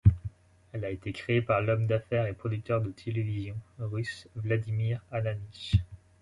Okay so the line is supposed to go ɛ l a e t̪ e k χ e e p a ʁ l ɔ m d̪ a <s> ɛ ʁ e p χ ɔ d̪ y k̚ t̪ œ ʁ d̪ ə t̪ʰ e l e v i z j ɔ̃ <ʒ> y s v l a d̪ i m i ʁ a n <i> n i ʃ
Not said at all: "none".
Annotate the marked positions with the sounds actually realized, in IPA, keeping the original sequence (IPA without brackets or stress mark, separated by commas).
f, ʁ, a